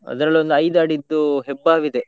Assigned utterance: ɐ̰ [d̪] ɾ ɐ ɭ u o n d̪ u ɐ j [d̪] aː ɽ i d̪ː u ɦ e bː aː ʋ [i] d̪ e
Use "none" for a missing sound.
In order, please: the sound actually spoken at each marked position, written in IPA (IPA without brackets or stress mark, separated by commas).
d̪, d̪, i